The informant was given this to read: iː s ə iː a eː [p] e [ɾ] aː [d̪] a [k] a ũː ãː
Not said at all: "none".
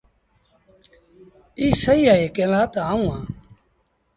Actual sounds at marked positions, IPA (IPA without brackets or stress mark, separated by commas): k, l, t̪, none